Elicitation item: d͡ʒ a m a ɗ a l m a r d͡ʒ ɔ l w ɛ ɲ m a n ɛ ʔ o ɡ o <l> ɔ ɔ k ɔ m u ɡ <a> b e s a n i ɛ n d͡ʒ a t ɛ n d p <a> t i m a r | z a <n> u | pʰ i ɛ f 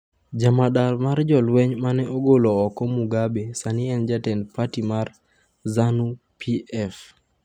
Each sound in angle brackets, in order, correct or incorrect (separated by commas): correct, correct, correct, correct